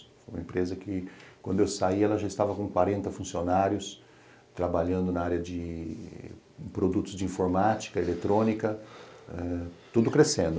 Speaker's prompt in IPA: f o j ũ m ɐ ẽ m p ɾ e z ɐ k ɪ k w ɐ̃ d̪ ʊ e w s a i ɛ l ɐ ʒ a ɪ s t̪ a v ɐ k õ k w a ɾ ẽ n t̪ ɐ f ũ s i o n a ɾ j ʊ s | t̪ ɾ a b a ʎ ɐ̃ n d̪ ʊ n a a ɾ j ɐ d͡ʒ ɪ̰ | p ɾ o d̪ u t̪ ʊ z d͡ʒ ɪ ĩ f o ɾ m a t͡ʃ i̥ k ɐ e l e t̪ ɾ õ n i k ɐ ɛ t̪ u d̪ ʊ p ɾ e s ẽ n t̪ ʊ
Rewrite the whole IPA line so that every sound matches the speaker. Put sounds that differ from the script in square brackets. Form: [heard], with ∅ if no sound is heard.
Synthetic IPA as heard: f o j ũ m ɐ ẽ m p ɾ e z ɐ k ɪ k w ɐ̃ d̪ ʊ e w s a i ɛ l ɐ ʒ a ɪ s t̪ a v ɐ k õ k w a ɾ ẽ n t̪ ɐ f ũ s i o n a ɾ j ʊ s | t̪ ɾ a b a ʎ ɐ̃ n d̪ ʊ n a a ɾ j ɐ d͡ʒ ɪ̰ | p ɾ o d̪ u t̪ ʊ z d͡ʒ ɪ ĩ f o ɾ m a t͡ʃ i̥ k ɐ e l e t̪ ɾ õ n i k ɐ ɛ t̪ u d̪ ʊ [k] ɾ e s ẽ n [d̪] ʊ